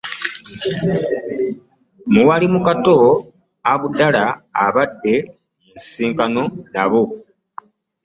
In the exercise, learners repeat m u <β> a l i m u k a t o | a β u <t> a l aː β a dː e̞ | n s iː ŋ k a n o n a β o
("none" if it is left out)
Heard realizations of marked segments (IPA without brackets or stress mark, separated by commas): w, d